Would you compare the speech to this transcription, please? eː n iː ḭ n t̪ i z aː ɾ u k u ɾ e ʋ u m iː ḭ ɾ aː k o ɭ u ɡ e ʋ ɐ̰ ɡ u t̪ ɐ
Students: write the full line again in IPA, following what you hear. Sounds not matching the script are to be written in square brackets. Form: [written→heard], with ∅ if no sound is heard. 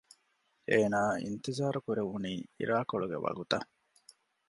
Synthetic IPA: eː n [iː→aː] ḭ n t̪ i z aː ɾ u k u ɾ e ʋ u [m→n] iː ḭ ɾ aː k o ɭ u ɡ e ʋ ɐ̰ ɡ u t̪ ɐ